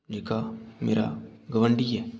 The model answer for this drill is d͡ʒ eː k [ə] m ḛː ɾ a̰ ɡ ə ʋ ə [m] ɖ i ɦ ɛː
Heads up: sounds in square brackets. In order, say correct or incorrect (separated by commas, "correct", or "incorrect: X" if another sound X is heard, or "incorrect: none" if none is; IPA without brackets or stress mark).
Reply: incorrect: a, incorrect: ɳ